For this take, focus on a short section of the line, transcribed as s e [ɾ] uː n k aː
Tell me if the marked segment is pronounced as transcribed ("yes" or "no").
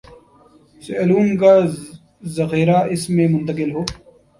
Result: no